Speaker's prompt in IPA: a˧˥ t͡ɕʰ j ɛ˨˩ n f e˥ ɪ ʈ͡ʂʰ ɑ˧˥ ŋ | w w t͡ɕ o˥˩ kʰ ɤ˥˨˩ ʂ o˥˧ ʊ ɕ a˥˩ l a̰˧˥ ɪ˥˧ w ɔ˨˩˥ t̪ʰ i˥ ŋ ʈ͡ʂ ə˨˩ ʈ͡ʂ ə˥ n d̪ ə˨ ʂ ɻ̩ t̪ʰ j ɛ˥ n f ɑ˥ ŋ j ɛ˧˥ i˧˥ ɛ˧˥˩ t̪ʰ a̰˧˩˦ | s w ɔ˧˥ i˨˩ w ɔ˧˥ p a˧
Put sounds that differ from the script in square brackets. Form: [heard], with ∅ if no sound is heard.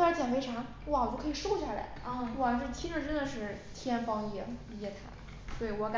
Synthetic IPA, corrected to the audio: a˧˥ [t͡ɕ] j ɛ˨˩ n f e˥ ɪ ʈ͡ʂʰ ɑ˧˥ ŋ | w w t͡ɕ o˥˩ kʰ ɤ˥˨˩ ʂ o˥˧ ʊ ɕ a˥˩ l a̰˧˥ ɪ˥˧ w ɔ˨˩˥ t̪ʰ i˥ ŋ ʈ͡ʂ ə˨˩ ʈ͡ʂ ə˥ n d̪ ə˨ ʂ ɻ̩ t̪ʰ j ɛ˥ n f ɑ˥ ŋ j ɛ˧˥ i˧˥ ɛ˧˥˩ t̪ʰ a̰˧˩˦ | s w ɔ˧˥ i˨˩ w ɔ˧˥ [k] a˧